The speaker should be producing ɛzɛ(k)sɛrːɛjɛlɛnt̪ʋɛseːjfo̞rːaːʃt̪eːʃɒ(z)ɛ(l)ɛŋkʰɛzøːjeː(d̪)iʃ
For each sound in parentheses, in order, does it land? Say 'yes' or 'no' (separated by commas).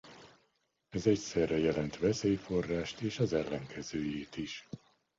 no, yes, no, no